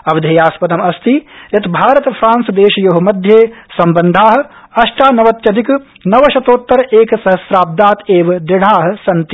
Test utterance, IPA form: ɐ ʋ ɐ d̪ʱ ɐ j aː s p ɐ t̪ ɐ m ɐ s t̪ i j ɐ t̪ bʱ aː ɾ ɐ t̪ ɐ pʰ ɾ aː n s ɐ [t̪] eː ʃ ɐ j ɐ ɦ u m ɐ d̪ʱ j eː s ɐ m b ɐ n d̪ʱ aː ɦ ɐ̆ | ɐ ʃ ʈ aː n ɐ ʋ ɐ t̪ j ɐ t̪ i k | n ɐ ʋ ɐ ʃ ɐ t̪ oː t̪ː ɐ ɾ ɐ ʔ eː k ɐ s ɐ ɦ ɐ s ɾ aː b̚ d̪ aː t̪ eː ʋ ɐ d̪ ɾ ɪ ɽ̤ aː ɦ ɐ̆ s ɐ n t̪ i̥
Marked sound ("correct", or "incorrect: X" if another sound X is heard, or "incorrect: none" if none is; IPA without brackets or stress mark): incorrect: d̪